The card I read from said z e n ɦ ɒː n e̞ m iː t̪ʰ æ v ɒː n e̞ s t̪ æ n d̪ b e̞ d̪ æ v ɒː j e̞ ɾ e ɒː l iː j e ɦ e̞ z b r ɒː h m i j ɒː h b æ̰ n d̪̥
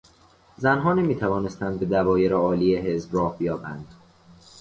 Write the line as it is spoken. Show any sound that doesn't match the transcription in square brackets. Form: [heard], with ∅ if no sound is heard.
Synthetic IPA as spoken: z [æ] n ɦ ɒː n e̞ m iː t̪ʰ æ v ɒː n e̞ s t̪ æ n d̪ b e̞ d̪ æ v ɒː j e̞ ɾ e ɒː l iː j e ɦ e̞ z b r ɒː h [b] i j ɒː [∅] b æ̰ n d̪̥